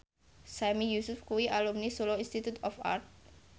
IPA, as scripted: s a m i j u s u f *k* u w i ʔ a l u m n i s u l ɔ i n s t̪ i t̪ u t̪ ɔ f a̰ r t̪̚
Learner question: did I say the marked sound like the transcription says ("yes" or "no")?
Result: yes